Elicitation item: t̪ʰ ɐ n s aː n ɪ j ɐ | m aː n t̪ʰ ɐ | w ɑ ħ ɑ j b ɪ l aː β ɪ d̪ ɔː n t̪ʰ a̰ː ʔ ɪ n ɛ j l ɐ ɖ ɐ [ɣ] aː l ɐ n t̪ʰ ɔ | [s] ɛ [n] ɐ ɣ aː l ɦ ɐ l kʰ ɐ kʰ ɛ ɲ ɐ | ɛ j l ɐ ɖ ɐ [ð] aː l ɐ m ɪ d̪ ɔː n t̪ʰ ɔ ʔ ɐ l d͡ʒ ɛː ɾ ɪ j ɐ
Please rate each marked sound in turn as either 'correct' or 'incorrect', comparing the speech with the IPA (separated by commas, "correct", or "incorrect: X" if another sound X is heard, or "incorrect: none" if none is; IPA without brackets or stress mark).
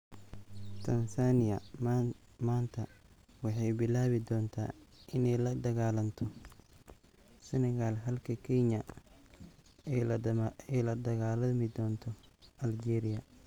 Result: correct, correct, correct, incorrect: ɣ